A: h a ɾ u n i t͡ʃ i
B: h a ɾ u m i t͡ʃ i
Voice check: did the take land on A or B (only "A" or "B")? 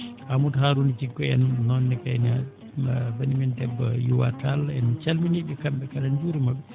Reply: A